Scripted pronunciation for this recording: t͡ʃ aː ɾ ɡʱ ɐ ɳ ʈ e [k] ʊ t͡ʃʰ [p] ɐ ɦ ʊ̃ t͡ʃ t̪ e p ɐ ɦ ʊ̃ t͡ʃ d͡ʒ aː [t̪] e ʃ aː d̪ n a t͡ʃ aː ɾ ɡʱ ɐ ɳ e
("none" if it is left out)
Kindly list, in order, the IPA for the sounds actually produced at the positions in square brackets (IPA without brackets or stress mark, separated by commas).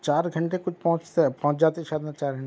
k, p, t̪